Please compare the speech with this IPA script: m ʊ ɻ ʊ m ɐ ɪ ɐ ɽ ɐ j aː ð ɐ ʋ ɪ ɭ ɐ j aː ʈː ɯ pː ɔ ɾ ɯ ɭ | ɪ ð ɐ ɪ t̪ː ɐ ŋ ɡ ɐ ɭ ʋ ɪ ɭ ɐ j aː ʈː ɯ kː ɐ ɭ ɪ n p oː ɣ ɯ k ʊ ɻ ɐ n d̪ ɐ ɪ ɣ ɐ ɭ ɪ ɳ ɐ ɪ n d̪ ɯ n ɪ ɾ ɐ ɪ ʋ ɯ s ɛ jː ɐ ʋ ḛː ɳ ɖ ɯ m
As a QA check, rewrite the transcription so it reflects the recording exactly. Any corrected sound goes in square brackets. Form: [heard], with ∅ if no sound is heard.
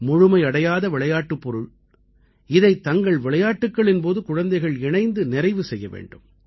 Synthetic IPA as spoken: m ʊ ɻ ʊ m ɐ ɪ ɐ ɽ ɐ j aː ð ɐ ʋ ɪ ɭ ɐ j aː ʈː ɯ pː ɔ ɾ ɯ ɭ | ɪ ð ɐ ɪ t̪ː ɐ ŋ ɡ ɐ ɭ ʋ ɪ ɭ ɐ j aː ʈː ɯ kː ɐ ɭ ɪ n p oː [ð] ɯ k ʊ ɻ ɐ n d̪ ɐ ɪ ɣ ɐ ɭ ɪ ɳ ɐ ɪ n d̪ ɯ n ɪ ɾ ɐ ɪ ʋ ɯ s ɛ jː ɐ ʋ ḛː ɳ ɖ ɯ m